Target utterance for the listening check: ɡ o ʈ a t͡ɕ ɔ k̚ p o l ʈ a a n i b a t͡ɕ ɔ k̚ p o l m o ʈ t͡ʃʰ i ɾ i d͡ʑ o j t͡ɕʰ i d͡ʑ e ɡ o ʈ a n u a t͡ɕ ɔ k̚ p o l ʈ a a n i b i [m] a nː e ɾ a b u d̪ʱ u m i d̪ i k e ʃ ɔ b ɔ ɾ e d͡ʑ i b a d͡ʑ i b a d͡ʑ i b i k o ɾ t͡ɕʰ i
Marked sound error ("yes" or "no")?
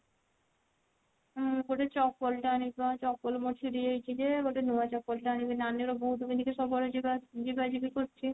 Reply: yes